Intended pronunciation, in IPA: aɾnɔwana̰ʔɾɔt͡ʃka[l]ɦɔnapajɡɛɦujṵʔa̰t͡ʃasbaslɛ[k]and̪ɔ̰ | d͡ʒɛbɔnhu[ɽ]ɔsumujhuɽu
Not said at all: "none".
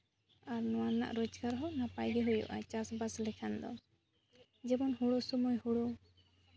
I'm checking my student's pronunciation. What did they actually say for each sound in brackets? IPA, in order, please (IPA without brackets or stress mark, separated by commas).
ɾ, kʰ, ɽ